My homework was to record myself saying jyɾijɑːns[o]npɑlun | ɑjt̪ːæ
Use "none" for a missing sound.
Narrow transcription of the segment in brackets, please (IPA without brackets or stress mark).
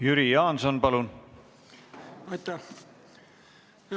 o